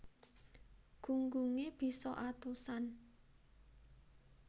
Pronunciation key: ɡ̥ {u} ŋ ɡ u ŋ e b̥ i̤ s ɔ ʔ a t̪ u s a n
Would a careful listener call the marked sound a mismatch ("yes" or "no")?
no